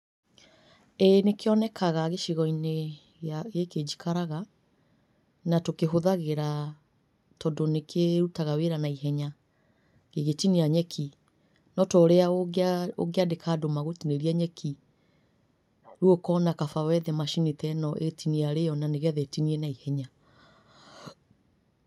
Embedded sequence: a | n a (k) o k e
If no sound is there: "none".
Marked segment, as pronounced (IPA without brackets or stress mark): t